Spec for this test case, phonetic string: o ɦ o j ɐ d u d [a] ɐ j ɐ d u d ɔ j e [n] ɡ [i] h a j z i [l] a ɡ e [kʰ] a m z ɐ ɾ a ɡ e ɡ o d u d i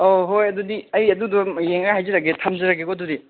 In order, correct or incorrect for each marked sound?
incorrect: i, incorrect: ŋ, incorrect: a, incorrect: ɾ, incorrect: tʰ

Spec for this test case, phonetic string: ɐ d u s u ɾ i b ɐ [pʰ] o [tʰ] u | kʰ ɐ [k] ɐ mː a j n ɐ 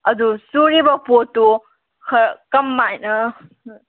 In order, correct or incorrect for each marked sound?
incorrect: p, incorrect: t, correct

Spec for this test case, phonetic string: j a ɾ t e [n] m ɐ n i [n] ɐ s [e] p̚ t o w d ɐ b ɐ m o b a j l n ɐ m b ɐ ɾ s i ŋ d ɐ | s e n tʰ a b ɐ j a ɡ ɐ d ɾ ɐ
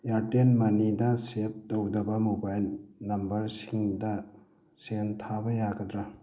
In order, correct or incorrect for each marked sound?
correct, incorrect: d, correct

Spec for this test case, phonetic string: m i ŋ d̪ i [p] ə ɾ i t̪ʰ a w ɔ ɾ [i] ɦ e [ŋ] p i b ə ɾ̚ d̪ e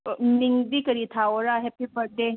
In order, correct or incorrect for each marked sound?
incorrect: k, incorrect: a, incorrect: none

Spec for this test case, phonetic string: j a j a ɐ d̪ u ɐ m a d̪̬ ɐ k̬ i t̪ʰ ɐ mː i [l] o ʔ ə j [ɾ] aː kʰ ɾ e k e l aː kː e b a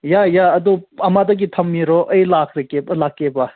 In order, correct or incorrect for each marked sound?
incorrect: ɾ, incorrect: l

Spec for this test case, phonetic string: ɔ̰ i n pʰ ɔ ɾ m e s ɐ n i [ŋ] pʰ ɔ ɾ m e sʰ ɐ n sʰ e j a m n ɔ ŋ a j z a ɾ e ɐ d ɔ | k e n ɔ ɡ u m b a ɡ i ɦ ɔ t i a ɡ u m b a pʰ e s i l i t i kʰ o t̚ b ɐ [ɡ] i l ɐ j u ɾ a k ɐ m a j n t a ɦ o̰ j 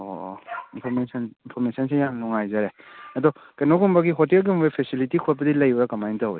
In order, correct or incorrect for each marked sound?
incorrect: n, incorrect: d

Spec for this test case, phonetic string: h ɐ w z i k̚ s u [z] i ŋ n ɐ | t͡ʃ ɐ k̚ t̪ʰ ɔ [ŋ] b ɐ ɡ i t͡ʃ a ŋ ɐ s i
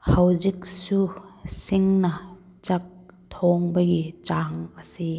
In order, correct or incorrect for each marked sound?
incorrect: s, correct

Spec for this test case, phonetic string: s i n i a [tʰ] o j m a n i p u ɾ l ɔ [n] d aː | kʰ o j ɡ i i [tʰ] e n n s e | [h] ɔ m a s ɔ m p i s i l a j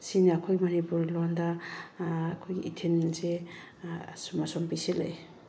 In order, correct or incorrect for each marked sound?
incorrect: kʰ, correct, correct, incorrect: s

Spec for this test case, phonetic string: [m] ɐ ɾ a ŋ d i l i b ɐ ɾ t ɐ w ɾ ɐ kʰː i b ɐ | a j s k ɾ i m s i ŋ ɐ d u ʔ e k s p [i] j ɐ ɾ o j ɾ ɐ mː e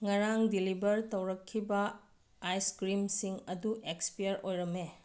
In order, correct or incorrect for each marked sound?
incorrect: ŋ, correct

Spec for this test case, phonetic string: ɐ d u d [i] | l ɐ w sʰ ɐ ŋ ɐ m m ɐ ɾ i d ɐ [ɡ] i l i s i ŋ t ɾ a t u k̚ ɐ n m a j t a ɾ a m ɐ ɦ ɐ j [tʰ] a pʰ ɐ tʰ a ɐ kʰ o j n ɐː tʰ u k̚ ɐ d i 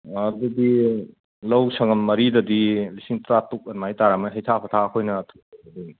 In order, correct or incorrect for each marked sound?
correct, incorrect: d, correct

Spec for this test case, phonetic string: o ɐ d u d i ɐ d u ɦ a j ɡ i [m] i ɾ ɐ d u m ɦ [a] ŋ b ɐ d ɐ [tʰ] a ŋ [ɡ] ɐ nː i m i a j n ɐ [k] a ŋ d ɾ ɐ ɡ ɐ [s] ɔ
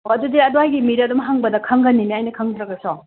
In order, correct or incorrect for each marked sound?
correct, correct, incorrect: kʰ, correct, incorrect: kʰ, correct

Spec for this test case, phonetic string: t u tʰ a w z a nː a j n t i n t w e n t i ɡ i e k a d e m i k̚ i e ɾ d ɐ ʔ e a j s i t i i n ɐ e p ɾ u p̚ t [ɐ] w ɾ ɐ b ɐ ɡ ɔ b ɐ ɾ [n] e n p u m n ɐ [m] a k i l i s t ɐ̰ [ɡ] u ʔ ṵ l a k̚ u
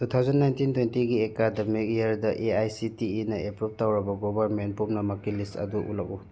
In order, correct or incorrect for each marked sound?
incorrect: a, incorrect: m, correct, incorrect: d

